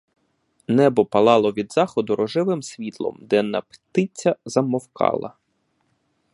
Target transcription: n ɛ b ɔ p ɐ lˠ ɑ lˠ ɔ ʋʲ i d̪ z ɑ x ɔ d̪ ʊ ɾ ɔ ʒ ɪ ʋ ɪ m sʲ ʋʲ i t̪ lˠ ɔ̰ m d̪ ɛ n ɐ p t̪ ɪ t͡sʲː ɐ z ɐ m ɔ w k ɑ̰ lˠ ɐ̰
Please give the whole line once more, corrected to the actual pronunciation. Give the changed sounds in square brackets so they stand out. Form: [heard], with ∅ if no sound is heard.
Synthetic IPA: n ɛ b ɔ p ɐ lˠ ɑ lˠ ɔ ʋʲ i d̪ z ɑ x ɔ d̪ ʊ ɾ ɔ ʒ ɪ ʋ ɪ m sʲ ʋʲ i t̪ lˠ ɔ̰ m d̪ ɛ n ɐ p t̪ ɪ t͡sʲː ɐ z ɐ m ɔ w k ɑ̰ lˠ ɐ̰